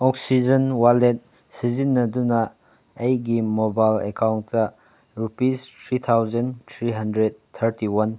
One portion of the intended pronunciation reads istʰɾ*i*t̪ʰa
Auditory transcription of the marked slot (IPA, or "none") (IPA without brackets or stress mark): i